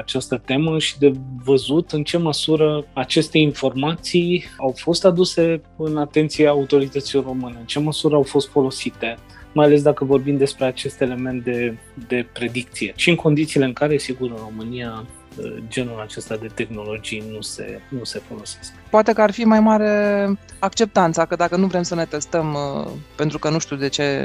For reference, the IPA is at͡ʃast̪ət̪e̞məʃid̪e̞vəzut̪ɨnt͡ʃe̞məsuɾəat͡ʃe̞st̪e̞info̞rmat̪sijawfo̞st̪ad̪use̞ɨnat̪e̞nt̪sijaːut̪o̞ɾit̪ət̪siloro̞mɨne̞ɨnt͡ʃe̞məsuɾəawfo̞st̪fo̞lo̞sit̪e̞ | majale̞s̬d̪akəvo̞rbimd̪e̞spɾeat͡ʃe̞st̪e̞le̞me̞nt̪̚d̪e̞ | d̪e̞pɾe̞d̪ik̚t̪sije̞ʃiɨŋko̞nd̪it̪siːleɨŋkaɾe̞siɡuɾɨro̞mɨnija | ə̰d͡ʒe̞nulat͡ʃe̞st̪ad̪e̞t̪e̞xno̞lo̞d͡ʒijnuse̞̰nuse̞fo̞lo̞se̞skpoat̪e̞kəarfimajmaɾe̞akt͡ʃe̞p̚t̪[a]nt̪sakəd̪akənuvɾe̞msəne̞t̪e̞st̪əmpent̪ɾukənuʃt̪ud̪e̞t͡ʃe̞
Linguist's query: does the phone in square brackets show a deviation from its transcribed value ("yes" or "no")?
no